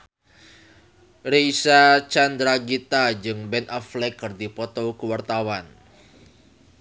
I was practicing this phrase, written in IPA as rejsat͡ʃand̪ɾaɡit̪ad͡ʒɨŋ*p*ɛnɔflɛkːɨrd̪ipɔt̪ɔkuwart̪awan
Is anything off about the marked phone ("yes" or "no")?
yes